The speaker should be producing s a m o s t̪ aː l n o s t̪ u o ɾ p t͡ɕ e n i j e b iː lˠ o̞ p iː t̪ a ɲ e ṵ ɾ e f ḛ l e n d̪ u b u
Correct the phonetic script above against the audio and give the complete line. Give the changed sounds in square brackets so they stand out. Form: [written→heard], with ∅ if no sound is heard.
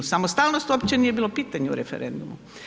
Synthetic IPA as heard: s a m o s t̪ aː l n o s t̪ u o [ɾ→∅] p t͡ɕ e n i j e b iː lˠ o̞ p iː t̪ a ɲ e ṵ ɾ e f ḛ [l→ɾ] e n d̪ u [b→m] u